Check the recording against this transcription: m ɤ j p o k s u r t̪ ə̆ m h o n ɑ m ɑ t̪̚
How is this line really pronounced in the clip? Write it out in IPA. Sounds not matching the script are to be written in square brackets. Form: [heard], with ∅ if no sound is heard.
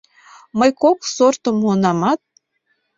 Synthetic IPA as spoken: m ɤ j [k] o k s [o] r t̪ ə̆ m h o n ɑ m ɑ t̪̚